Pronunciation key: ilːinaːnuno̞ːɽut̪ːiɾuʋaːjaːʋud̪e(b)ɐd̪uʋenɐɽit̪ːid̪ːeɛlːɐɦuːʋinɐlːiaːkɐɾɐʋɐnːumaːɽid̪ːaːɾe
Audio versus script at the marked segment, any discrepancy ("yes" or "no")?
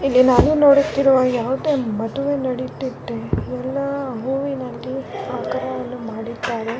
yes